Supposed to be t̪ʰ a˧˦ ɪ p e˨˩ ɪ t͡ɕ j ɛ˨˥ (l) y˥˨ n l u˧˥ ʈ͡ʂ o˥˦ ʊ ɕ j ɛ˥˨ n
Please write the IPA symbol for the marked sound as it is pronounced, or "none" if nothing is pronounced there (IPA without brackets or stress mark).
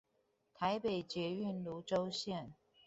none